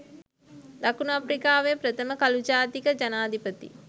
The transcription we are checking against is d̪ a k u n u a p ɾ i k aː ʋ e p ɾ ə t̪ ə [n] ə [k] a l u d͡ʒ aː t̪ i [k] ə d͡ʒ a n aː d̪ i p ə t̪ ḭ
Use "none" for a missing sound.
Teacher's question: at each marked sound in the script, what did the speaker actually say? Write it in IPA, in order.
m, k, k

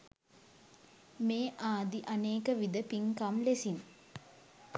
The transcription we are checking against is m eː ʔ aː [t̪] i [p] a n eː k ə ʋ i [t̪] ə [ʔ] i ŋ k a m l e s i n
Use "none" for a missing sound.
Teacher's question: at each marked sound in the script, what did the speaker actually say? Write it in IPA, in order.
d̪, ʔ, d̪, p

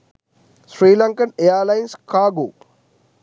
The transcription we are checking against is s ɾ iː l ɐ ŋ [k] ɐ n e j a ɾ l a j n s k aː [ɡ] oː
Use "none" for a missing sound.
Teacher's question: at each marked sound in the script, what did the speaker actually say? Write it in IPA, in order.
k, ɡ

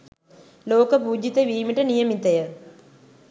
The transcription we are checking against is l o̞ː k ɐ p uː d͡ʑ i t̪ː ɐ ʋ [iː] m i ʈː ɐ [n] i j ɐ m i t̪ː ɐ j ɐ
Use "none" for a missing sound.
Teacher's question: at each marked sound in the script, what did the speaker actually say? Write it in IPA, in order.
iː, n

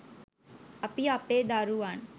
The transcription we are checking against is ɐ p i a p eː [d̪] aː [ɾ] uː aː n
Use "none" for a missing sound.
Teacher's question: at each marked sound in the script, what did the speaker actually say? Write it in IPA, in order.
d̪, ɾ

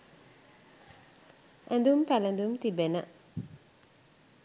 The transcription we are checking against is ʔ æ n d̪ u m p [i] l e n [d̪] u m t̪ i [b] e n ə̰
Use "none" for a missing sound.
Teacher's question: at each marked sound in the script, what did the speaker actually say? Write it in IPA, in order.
æ, d̪, b

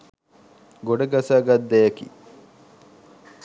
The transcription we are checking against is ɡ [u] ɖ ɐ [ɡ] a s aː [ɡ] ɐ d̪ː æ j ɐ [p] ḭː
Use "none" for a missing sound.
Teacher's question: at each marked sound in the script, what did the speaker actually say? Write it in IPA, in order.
o, ɡ, ɡ, k

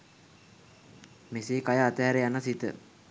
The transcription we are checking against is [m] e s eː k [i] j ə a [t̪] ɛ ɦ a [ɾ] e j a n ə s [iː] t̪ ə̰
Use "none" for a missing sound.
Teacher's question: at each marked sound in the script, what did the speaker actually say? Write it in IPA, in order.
m, a, t̪, ɾ, i

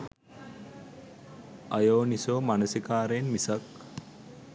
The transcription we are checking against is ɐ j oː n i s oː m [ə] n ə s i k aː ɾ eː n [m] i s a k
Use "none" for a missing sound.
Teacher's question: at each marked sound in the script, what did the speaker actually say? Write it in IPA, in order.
a, m

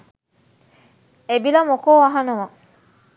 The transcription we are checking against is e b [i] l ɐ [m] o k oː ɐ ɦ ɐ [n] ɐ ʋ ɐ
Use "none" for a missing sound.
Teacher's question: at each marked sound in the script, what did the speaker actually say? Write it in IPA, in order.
i, m, n

